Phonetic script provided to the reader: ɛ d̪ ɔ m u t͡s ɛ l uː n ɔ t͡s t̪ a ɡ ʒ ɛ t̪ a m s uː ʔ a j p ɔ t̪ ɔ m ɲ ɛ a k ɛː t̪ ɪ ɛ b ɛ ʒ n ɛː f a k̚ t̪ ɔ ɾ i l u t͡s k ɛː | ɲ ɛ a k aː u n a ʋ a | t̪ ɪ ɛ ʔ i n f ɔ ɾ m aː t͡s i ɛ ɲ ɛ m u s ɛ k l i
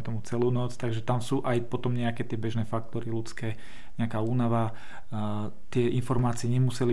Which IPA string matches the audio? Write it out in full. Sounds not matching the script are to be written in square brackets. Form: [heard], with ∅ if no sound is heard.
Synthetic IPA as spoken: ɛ [t̪] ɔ m u t͡s ɛ l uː n ɔ t͡s t̪ a ɡ ʒ ɛ t̪ a m s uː ʔ a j p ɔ t̪ ɔ m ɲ ɛ a k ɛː t̪ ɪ ɛ b ɛ ʒ n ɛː f a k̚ t̪ ɔ ɾ i l u t͡s k ɛː | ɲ ɛ a k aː [uː] n a ʋ a | t̪ ɪ ɛ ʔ i n f ɔ ɾ m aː t͡s i ɛ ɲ ɛ m u s ɛ [∅] l i